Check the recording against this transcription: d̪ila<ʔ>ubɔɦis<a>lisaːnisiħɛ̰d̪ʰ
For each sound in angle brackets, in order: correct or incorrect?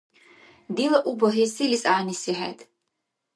correct, incorrect: i

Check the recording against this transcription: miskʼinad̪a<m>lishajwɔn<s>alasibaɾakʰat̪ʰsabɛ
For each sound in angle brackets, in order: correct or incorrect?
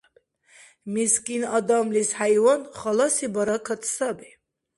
correct, incorrect: χ

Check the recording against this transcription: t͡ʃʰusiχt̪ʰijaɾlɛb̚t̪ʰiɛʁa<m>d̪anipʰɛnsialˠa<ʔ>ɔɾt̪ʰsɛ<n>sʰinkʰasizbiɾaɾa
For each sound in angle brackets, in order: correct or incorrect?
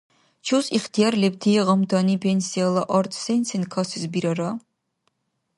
correct, correct, correct

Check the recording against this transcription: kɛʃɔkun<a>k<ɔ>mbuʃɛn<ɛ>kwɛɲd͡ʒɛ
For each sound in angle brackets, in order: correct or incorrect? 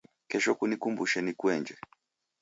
incorrect: i, incorrect: u, incorrect: i

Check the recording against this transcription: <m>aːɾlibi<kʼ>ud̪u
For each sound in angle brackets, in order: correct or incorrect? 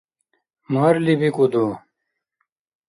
correct, incorrect: k

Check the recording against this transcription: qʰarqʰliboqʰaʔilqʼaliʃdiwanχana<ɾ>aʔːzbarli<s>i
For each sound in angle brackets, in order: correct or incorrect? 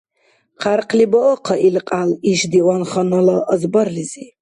incorrect: l, incorrect: z

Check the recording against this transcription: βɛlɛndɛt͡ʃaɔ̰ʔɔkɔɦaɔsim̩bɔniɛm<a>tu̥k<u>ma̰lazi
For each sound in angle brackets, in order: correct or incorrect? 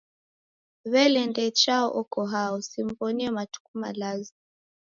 correct, correct

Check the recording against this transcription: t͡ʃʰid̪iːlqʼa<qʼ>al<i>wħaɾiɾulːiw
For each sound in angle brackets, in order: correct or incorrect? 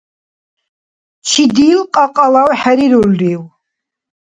correct, incorrect: a

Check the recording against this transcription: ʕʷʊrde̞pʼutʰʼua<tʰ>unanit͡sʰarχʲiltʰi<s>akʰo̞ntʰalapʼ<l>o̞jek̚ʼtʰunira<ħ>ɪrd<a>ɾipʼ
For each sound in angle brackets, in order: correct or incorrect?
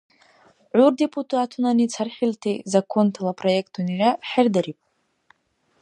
correct, incorrect: z, incorrect: r, correct, correct

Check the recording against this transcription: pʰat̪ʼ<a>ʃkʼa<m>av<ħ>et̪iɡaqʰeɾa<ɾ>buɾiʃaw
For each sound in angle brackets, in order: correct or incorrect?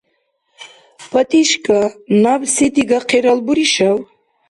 incorrect: i, incorrect: n, incorrect: s, incorrect: l

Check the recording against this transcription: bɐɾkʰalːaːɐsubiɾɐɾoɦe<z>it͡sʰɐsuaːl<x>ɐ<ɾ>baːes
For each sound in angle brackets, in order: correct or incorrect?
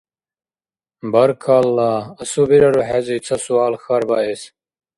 correct, correct, correct

